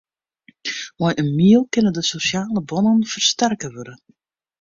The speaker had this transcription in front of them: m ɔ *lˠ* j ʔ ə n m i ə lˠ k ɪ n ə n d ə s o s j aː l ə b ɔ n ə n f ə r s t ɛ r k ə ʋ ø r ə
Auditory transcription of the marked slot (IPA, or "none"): none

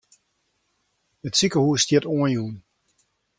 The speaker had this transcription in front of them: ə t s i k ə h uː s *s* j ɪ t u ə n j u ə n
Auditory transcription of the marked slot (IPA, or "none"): t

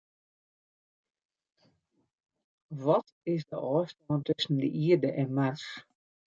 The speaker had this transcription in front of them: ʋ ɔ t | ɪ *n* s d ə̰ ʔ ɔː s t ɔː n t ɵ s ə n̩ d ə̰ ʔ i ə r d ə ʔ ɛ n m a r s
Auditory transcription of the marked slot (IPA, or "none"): none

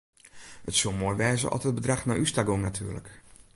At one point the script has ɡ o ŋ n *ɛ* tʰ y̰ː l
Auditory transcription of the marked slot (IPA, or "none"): a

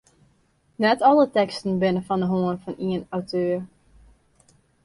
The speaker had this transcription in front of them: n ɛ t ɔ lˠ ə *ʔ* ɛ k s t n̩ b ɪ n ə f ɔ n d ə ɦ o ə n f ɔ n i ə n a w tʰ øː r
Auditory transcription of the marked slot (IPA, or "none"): t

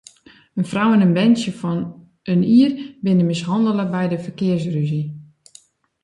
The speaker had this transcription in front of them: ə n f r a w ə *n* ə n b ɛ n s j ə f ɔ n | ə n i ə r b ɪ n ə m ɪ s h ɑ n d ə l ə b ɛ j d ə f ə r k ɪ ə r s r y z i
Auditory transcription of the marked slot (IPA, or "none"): n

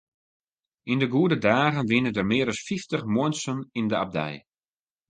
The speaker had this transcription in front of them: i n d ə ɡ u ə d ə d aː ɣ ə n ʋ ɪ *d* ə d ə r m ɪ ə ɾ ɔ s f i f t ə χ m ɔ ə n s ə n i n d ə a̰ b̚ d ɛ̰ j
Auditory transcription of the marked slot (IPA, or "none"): n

